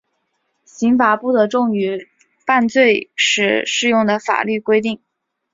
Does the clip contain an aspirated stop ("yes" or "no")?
no